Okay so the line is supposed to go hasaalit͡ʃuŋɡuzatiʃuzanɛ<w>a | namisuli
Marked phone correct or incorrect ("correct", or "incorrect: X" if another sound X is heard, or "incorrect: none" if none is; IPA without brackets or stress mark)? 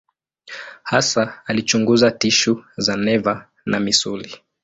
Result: incorrect: v